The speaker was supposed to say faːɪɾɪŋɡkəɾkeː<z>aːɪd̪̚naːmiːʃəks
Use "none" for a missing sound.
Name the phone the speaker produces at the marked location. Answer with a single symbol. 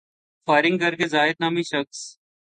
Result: z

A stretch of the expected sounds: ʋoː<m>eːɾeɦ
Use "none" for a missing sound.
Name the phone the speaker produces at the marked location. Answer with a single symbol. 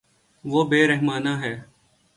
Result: b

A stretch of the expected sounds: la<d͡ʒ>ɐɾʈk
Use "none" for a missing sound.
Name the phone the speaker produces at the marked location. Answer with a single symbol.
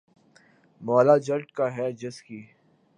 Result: d͡ʒ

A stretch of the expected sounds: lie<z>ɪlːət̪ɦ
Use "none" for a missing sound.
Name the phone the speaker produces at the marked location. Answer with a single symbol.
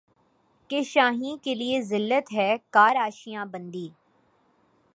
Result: z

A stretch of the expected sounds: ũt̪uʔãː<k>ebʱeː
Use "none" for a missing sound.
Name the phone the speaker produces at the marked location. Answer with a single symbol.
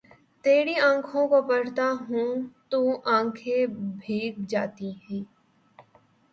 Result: kʰ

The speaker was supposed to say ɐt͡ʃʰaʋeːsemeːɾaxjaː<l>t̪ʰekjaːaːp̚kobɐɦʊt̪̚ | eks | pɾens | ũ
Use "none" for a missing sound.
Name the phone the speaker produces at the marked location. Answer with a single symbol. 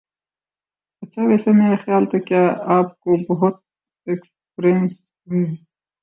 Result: l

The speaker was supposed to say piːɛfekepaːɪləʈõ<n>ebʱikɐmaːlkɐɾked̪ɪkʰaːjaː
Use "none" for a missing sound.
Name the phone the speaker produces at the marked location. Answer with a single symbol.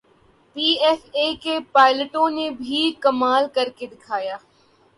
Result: n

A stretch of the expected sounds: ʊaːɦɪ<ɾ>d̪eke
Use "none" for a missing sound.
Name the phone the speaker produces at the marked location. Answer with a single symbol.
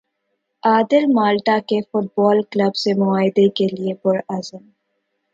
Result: none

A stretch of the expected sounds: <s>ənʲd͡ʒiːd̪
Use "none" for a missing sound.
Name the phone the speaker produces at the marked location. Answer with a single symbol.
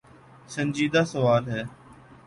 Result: s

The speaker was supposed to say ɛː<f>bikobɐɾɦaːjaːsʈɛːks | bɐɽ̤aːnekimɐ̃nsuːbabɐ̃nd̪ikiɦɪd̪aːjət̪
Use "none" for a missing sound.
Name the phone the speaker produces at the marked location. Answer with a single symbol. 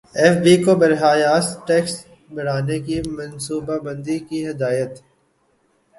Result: f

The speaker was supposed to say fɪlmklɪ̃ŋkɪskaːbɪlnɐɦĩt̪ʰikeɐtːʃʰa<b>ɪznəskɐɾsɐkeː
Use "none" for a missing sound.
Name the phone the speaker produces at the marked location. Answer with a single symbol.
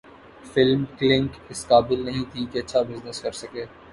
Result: b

